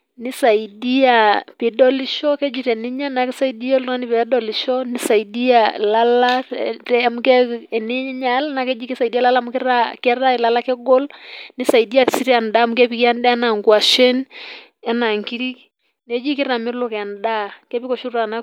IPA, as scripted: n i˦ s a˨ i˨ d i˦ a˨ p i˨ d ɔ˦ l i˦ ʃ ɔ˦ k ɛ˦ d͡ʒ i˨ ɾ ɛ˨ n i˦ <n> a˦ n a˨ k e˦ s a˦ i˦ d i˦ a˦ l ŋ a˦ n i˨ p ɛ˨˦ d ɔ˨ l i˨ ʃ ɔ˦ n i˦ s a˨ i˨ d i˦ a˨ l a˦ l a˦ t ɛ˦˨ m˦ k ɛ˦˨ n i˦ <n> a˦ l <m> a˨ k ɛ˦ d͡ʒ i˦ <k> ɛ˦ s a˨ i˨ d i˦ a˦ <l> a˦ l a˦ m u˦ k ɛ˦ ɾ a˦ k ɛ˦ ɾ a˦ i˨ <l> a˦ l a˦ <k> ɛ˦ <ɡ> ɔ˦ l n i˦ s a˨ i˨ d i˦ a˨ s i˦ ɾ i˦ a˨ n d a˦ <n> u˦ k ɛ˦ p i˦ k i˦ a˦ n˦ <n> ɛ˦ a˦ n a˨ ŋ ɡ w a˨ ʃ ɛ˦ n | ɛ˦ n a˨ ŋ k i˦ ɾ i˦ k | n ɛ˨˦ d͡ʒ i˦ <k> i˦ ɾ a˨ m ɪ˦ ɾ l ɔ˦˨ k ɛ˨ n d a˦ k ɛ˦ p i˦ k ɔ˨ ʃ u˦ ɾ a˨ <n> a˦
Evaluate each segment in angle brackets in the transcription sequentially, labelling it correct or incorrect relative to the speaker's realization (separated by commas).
incorrect, incorrect, incorrect, correct, correct, correct, correct, correct, incorrect, incorrect, correct, correct